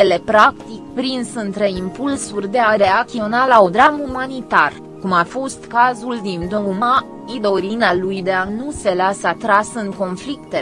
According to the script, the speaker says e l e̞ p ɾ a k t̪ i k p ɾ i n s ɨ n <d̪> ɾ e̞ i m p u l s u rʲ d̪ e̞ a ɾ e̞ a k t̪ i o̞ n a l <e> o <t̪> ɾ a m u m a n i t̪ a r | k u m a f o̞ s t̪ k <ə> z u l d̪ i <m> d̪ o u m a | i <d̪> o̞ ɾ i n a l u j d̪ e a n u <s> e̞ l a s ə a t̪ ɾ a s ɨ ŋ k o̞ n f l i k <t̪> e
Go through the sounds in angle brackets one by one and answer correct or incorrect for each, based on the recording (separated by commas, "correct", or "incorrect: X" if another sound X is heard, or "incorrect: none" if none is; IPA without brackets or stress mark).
incorrect: t̪, incorrect: a, incorrect: d̪, incorrect: a, incorrect: n, correct, correct, correct